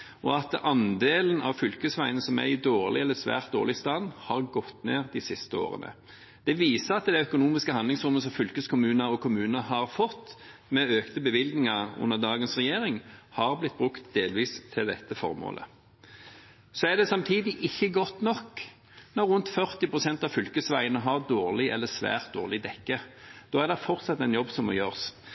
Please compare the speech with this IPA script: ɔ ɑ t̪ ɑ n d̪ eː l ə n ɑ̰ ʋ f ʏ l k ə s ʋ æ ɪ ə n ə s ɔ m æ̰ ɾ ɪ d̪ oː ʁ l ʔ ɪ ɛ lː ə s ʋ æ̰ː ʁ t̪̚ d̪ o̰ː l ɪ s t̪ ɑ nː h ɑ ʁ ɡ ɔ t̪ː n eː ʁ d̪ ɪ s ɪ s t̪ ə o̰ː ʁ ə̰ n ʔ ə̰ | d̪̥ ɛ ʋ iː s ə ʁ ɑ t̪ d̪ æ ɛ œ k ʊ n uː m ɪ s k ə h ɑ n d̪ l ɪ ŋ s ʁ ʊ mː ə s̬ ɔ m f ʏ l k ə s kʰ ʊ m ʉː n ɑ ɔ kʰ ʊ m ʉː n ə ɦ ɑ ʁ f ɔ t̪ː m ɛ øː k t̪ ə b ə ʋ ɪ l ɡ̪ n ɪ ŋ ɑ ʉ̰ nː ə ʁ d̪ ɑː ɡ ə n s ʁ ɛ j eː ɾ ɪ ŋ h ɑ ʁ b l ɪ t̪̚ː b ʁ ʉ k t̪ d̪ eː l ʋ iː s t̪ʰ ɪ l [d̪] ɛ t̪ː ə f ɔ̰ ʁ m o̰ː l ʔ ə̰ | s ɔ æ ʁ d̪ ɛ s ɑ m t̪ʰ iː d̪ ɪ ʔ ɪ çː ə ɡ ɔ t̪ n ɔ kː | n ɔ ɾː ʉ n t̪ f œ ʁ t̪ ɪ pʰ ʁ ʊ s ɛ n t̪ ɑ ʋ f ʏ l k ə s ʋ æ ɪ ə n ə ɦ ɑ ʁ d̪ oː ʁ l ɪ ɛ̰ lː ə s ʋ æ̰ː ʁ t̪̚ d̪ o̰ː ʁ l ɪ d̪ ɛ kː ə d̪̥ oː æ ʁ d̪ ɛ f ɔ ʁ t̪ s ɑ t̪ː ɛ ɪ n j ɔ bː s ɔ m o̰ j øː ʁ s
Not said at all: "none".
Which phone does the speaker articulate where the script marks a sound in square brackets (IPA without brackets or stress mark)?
d̪